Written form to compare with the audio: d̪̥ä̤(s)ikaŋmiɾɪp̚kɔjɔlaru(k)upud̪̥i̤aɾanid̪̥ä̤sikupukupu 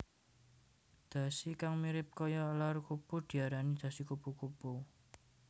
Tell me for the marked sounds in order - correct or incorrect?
correct, correct

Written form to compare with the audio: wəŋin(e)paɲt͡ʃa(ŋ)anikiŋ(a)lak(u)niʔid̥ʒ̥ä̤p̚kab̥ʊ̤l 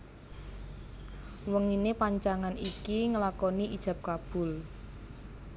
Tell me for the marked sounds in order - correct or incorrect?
correct, correct, incorrect: ə, incorrect: ɔ

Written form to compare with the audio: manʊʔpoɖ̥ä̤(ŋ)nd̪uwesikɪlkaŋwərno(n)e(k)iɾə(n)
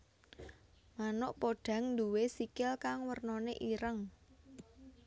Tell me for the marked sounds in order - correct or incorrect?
correct, correct, incorrect: ʔ, incorrect: ŋ

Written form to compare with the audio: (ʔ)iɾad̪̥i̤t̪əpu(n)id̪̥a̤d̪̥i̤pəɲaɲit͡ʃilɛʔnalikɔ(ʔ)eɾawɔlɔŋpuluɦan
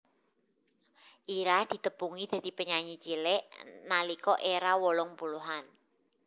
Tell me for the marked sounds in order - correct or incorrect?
correct, incorrect: ŋ, correct

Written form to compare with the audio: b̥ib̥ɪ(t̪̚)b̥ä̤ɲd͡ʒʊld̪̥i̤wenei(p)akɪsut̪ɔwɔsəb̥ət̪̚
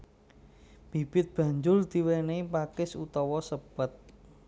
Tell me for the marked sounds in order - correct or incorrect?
correct, correct

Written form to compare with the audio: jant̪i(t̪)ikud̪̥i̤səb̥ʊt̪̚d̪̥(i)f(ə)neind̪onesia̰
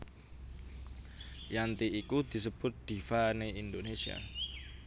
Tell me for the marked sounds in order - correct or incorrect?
incorrect: none, correct, incorrect: a

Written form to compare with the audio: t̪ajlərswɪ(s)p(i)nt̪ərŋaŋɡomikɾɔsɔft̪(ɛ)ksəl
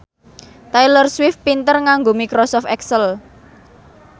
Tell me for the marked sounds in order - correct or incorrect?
incorrect: f, correct, correct

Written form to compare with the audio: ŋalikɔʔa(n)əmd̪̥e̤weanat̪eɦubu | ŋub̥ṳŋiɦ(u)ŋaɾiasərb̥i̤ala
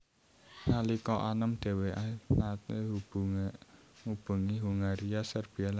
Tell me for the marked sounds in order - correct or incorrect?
correct, correct

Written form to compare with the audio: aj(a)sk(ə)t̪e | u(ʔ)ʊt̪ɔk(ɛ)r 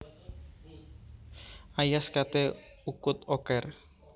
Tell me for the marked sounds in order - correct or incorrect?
correct, incorrect: a, incorrect: k, correct

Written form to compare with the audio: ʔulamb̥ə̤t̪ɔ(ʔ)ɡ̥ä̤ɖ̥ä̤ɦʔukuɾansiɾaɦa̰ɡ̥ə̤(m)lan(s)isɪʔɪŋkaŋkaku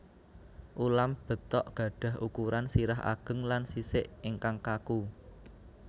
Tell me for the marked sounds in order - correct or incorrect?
correct, incorrect: ŋ, correct

